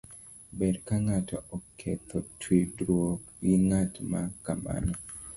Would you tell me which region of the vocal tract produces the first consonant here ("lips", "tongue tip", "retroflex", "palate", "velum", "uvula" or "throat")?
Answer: lips